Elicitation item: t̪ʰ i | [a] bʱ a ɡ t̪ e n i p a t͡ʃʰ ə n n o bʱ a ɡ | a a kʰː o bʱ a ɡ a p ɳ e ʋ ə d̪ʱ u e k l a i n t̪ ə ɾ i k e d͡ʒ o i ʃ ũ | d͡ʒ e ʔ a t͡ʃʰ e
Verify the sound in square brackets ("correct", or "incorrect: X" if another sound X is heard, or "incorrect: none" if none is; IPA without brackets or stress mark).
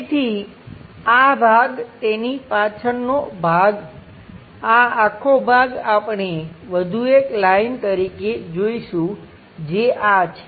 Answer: correct